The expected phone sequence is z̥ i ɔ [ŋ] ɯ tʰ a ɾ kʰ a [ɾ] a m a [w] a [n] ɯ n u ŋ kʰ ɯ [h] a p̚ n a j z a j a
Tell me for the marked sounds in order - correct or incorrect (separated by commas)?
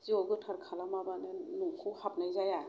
incorrect, incorrect, incorrect, correct, correct